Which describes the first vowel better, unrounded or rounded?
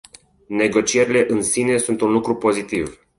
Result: unrounded